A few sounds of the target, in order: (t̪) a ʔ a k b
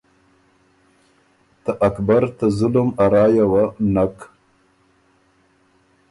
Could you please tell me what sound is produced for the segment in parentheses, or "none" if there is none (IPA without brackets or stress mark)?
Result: t̪